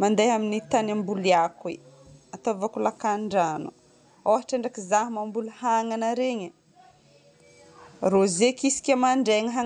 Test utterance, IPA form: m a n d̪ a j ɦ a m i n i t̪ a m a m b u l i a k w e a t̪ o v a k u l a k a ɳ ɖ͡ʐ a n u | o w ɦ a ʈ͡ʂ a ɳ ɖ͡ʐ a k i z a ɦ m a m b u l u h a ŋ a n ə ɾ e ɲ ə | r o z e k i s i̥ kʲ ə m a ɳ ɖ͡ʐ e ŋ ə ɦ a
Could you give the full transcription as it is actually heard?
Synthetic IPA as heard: m a n d̪ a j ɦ a m i n i t̪ a n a m b u l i a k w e a t̪ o v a k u l a k a ɳ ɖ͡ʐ a n u | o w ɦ a ʈ͡ʂ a ɳ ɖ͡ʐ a k i z a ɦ m a m b u l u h a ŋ a n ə ɾ e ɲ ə | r o z e k i s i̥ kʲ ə m a ɳ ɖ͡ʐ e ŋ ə ɦ a

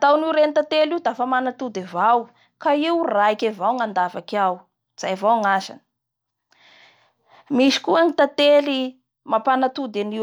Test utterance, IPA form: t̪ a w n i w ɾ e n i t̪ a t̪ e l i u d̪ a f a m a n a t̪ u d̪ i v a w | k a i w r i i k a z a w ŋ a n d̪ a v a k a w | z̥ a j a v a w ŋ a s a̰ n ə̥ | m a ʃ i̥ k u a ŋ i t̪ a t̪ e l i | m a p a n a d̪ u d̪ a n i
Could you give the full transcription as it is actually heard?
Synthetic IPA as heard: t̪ a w n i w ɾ e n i t̪ a t̪ e l i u d̪ a f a m a n a t̪ u d̪ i v a w | k a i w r a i k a v a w ŋ a n d̪ a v a k a w | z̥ a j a v a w ŋ a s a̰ n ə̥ | m i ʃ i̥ k u a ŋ i t̪ a t̪ e l i | m a p a n a t̪ u d̪ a n i

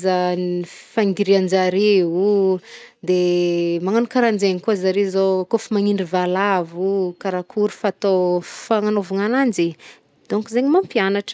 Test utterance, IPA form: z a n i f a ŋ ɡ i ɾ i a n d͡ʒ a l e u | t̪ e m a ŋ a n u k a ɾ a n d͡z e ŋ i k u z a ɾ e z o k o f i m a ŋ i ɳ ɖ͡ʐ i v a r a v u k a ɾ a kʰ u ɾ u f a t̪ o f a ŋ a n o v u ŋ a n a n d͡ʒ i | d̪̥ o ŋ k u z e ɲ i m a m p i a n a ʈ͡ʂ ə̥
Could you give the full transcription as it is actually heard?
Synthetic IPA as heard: z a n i f a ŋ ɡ i ɾ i a n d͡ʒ a ɾ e u | d̪ e m a ŋ a n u k a ɾ a n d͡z e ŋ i k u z a ɾ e z o k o f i m a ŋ i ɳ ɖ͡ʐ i v a l a v u k a ɾ a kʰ u ɾ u f a t̪ o f a ŋ a n o v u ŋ a n a n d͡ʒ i | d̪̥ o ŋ k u z e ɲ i m a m p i a n a ʈ͡ʂ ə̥

